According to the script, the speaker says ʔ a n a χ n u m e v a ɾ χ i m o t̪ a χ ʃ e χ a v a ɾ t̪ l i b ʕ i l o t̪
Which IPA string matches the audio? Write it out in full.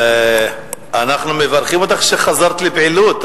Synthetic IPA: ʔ a n a χ n u m e v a ɾ χ i m o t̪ a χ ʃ e χ a z a ɾ t̪ l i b ʕ i l u t̪

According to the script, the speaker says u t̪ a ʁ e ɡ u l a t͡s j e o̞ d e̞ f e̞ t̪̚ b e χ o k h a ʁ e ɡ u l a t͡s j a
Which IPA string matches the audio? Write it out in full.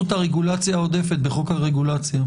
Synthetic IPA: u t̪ a ʁ e ɡ u l a t͡s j a o̞ d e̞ f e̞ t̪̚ b e χ o k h a ʁ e ɡ u l a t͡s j a

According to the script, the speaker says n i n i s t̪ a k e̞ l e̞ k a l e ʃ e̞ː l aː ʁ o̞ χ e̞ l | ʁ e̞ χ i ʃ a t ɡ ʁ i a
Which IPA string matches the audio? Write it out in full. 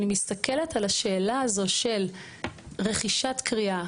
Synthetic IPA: n i m i s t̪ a k e̞ l e̞ t a l a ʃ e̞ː l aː z o̞ ʃ e̞ l | ʁ e̞ χ i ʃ a t k ʁ i a

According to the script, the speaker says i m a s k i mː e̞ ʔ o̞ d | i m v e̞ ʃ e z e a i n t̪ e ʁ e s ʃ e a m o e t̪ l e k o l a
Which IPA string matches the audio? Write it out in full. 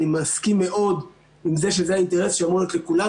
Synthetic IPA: i m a s k i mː e̞ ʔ o̞ d | i m z e̞ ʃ e z e a i n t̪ e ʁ e s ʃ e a m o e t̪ l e k u l a

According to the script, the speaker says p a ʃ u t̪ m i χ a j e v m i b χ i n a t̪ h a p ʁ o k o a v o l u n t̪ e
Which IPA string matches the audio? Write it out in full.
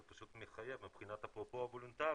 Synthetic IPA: p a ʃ u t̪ m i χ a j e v m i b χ i n a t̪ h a p ʁ o p o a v o l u n t̪ a

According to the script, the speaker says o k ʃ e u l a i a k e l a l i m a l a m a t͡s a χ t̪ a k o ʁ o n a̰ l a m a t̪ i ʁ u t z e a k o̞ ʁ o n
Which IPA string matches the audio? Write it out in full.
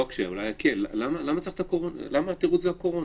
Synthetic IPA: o k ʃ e u l a j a k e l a l a m a l a m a t͡s a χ t̪ a k o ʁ o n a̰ l a m a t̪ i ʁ u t z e a k o̞ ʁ o n

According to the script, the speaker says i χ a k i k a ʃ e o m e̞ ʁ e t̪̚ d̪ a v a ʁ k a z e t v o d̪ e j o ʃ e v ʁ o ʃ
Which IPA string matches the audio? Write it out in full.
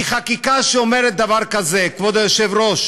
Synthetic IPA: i χ a k i k a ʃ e o m e̞ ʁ e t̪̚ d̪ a v a ʁ k a z e k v o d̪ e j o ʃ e v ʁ o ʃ

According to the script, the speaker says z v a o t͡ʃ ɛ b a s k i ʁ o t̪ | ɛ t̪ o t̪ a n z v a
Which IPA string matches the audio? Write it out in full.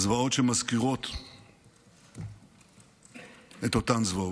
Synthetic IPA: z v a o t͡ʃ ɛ m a s k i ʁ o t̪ | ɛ t̪ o t̪ a n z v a

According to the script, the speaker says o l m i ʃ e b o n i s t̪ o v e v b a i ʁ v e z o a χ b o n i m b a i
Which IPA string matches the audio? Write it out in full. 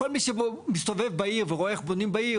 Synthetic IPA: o l m i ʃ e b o m i s t̪ o v e v b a i ʁ v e ʁ o e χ b o n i m b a i

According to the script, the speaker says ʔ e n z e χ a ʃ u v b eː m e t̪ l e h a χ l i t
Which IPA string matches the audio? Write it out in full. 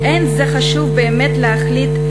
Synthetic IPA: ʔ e n z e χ a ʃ u v b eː m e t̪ l e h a χ l i t

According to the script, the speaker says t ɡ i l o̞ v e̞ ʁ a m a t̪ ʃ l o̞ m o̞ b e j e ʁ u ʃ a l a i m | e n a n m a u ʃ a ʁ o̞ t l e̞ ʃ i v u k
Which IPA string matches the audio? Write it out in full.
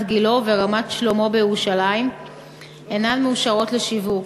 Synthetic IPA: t ɡ i l o̞ v e̞ ʁ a m a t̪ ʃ l o̞ m o̞ b e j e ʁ u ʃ a l a i m | e n a n m e u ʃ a ʁ o̞ t l e̞ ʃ i v u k

